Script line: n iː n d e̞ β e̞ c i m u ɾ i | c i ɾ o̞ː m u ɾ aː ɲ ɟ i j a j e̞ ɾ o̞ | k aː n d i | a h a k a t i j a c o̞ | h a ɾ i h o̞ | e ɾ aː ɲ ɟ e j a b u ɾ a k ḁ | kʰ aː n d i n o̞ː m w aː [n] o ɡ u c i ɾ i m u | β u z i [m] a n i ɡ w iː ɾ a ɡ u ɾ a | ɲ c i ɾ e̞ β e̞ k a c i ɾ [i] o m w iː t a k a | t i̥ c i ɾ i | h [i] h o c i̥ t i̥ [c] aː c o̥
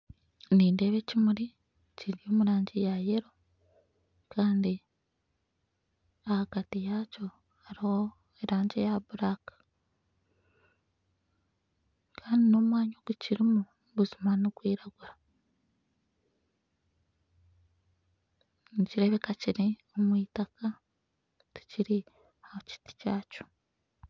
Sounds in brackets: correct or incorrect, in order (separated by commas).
incorrect, correct, correct, incorrect, correct